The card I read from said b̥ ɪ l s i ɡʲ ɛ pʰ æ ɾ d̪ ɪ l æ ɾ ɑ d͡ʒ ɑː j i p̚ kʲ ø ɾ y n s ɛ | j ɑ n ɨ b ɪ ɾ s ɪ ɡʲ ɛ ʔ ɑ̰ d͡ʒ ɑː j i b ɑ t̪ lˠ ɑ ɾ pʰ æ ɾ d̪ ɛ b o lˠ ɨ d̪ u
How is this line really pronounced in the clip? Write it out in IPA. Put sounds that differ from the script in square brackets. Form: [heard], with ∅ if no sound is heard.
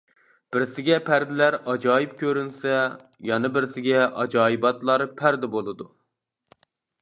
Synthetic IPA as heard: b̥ ɪ [ɾ] s [ɪ] ɡʲ ɛ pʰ æ ɾ d̪ ɪ l æ ɾ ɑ d͡ʒ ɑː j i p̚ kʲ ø ɾ y n s ɛ | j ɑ n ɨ b ɪ ɾ s ɪ ɡʲ ɛ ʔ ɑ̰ d͡ʒ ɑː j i b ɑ t̪ lˠ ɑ ɾ pʰ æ ɾ d̪ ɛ b o lˠ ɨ d̪ u